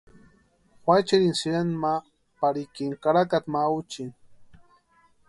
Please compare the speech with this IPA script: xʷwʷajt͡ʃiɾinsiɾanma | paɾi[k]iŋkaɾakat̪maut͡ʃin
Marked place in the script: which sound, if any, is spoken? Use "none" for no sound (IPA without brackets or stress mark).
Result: k